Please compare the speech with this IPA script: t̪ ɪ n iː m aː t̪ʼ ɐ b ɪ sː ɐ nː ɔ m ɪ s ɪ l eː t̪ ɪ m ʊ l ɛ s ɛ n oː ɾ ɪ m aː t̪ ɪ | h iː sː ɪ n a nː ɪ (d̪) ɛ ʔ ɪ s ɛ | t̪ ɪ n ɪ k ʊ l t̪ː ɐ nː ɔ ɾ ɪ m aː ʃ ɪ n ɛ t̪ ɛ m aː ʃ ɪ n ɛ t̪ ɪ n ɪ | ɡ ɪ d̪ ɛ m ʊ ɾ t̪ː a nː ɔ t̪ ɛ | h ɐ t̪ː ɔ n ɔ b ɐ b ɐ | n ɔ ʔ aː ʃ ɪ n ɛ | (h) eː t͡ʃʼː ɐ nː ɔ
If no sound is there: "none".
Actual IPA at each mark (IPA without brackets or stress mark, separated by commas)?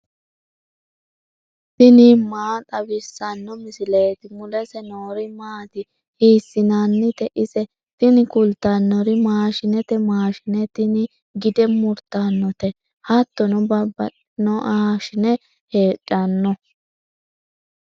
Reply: t̪, h